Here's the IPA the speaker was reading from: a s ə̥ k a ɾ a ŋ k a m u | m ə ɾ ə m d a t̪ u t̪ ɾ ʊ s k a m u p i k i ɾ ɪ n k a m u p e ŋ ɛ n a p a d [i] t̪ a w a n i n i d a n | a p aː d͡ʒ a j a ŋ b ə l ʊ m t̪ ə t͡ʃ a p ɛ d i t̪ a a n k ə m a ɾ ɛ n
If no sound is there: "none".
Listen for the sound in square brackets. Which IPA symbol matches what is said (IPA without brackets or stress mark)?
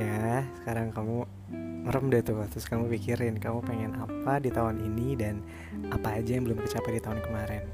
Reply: i